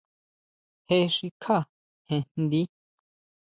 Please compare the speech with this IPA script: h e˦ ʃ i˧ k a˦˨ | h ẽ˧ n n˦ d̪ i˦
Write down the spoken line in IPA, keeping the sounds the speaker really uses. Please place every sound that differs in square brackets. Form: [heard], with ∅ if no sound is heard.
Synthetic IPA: h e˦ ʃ i˧ [kʰ] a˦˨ | h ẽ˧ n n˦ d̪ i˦